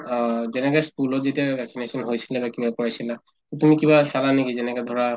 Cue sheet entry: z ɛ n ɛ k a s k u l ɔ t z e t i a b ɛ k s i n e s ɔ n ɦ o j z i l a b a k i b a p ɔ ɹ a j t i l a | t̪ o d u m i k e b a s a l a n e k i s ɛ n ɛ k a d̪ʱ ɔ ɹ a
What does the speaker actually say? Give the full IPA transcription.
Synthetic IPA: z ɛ n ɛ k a s k u l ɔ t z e t i a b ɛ k s i n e s ɔ n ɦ o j s i l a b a k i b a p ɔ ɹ a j s i l a | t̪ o t u m i k i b a s a l a n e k i z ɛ n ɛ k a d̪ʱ ɔ ɹ a